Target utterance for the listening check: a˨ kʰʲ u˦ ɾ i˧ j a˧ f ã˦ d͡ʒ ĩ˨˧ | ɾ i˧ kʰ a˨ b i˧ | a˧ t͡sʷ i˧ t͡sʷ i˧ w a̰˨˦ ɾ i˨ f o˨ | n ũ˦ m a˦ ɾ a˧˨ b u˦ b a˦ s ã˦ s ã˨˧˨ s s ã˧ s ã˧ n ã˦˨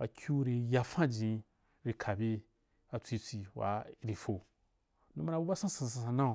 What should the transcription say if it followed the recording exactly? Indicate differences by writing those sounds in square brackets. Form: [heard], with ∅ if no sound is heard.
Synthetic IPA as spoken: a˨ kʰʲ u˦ ɾ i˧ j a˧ f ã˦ d͡ʒ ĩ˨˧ | ɾ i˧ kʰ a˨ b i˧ | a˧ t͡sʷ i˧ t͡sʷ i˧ w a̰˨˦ ɾ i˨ f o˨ | n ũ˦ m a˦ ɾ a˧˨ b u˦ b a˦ s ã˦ s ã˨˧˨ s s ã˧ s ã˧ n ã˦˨